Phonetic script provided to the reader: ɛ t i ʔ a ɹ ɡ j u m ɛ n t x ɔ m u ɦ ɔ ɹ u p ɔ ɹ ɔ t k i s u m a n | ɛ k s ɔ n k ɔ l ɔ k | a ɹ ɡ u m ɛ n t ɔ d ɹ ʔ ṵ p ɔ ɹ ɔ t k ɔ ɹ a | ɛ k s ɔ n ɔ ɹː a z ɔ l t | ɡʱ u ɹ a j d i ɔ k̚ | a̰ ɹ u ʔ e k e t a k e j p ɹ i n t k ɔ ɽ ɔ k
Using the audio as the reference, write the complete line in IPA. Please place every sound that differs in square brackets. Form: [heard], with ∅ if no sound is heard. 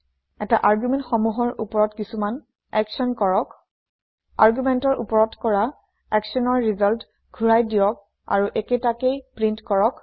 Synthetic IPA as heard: ɛ t [a] ʔ a ɹ ɡ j u m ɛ n t x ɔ m u ɦ ɔ ɹ u p ɔ ɹ ɔ t k i s u m a n | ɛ k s ɔ n k ɔ [ɹ] ɔ k | a ɹ ɡ u m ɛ n t ɔ [∅] ɹ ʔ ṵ p ɔ ɹ ɔ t k ɔ ɹ a | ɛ k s ɔ n ɔ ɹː [i] z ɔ l t | ɡʱ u ɹ a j d i ɔ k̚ | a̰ ɹ u ʔ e k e t a k e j p ɹ i n t k ɔ [ɹ] ɔ k